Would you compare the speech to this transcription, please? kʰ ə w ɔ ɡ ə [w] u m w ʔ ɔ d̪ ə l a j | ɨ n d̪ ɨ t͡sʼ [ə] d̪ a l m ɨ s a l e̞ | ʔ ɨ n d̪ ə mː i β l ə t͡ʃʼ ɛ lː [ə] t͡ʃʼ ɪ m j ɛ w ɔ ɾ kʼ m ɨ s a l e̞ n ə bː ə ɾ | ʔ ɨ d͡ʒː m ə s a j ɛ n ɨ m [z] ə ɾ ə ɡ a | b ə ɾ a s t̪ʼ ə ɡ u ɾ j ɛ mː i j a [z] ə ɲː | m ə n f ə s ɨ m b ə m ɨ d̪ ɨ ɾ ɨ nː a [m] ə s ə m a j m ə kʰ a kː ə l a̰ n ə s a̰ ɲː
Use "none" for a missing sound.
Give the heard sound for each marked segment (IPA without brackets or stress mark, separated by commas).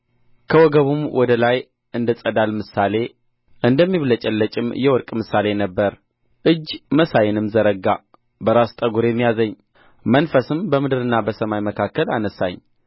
β, ə, ə, z, z, b